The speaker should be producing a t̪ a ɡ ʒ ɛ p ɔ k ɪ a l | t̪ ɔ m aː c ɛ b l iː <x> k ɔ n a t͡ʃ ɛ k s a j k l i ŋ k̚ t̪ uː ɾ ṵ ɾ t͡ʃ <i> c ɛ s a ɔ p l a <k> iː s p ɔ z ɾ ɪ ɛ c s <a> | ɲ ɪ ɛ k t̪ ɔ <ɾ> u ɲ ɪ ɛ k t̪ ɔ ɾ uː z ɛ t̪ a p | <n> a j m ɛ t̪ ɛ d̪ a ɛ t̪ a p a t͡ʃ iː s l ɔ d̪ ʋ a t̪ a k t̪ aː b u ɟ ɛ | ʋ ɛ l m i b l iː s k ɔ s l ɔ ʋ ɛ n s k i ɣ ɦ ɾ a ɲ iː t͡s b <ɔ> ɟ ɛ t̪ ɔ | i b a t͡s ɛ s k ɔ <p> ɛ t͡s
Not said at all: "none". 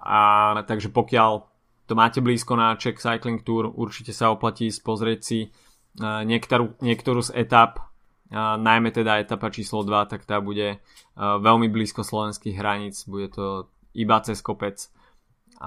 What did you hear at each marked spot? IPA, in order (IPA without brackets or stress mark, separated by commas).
s, i, c, i, ɾ, n, u, p